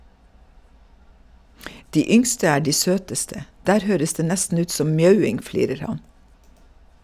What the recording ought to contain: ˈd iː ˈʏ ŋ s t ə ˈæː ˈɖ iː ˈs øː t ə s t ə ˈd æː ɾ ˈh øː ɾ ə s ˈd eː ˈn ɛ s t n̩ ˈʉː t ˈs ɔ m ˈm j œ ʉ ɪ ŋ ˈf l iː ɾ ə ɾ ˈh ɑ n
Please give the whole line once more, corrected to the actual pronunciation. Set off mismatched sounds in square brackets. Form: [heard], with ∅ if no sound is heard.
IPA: ˈd iː ˈʏ ŋ s t ə ˈæː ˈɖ iː ˈs øː t ə s t ə ˈd æː ɾ ˈh øː ɾ ə s ˈd eː ˈn ɛ s t n̩ ˈʉː t ˈs ɔ m ˈm j œ ʉ ɪ ŋ ˈf l iː ɾ ə ɾ ˈh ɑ n